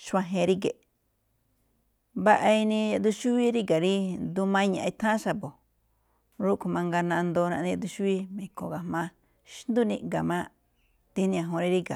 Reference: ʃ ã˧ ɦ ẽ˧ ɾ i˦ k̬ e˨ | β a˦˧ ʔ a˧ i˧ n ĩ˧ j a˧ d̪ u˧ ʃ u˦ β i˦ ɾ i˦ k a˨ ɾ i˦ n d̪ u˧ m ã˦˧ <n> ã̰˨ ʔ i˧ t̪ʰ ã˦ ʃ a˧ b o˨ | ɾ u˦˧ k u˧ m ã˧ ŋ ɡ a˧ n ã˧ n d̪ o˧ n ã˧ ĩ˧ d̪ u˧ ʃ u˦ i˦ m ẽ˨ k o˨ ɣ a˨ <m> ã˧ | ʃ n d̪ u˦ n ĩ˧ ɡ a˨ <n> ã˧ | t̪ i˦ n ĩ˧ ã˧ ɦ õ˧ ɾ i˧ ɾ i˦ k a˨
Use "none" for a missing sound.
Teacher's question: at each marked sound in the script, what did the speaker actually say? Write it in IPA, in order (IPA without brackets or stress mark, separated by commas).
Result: ɲ, m, m